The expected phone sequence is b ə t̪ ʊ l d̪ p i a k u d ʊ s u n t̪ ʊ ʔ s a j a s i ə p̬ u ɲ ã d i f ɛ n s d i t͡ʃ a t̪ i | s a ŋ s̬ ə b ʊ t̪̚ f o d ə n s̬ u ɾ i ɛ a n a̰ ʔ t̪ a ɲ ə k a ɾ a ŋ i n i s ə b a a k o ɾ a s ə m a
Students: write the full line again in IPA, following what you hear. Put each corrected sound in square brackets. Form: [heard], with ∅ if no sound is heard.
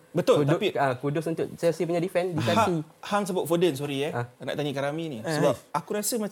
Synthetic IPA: b ə t̪ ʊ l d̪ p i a k u d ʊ s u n t̪ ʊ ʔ s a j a s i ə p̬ u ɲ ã d i f ɛ n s d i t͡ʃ a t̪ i | [h] a ŋ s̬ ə b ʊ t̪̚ f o d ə n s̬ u ɾ i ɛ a n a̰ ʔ t̪ a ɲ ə k a ɾ a [m] i n i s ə b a a k [u] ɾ a s ə m a